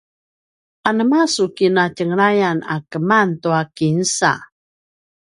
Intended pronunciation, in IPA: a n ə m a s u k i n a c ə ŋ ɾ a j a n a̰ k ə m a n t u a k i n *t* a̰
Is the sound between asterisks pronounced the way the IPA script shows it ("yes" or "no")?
no